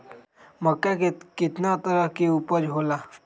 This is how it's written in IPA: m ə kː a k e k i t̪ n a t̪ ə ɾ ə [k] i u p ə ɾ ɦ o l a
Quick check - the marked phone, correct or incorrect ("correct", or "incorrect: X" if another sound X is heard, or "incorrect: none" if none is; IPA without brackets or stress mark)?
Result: correct